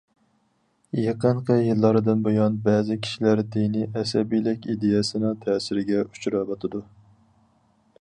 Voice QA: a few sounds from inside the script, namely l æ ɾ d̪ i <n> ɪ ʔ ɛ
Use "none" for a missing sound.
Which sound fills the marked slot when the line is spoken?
n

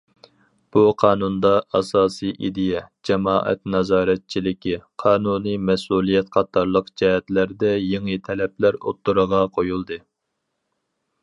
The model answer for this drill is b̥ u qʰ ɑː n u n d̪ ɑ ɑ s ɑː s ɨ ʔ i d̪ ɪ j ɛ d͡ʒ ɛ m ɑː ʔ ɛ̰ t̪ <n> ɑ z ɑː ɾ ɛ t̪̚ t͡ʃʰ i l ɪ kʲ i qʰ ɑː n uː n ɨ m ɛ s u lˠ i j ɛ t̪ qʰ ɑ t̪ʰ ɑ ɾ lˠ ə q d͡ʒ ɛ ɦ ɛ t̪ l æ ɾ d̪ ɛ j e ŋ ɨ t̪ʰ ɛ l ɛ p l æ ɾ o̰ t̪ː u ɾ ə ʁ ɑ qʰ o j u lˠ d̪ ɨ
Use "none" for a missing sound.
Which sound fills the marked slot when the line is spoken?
n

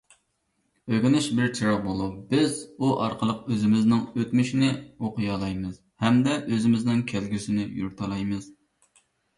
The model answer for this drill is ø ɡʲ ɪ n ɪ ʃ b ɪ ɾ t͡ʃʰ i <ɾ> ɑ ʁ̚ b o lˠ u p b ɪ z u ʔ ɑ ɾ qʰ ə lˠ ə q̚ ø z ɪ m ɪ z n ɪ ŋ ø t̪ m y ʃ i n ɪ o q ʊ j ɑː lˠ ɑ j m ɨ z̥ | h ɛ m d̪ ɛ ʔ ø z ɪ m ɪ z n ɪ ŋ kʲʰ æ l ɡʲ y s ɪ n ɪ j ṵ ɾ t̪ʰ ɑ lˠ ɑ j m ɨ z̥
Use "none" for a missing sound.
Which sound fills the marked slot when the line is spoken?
ɾ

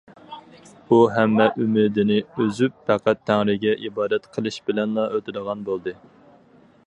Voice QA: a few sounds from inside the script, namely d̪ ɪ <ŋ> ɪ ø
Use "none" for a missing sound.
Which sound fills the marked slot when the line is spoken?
n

